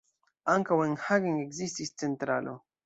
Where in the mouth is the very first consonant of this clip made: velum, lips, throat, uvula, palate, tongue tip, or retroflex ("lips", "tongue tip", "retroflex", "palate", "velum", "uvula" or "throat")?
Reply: velum